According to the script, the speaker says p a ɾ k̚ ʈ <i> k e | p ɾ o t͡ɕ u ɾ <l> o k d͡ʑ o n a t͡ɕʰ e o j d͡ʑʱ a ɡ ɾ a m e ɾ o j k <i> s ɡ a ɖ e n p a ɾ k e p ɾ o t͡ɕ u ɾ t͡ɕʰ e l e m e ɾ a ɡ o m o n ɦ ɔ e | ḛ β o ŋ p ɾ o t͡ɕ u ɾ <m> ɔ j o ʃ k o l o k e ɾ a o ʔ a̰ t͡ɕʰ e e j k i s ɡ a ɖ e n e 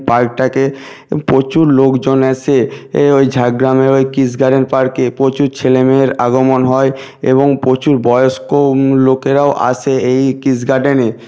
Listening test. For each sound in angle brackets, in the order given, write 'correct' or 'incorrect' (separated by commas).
incorrect, correct, correct, incorrect